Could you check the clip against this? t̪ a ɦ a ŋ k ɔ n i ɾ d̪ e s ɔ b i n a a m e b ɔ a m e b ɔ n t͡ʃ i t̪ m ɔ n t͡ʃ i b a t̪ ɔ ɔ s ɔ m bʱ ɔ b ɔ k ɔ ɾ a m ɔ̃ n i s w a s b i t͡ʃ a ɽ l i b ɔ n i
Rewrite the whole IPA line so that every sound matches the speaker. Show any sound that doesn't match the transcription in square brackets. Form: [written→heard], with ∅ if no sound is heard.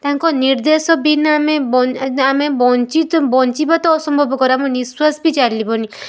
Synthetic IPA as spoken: t̪ a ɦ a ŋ k ɔ n i ɾ d̪ e s ɔ b i n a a m e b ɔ a m e b ɔ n t͡ʃ i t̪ [m→b] ɔ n t͡ʃ i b a t̪ ɔ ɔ s ɔ m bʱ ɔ b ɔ k ɔ ɾ a m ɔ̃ n i s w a s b i t͡ʃ a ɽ l i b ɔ n i

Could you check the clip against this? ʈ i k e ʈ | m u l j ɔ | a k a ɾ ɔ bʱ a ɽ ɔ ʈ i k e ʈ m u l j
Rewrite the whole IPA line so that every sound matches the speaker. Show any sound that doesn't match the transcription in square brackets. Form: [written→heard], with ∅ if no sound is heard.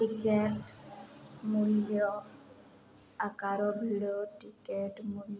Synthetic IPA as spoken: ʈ i k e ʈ | m u l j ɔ | a k a ɾ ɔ bʱ [a→i] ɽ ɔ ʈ i k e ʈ m u l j

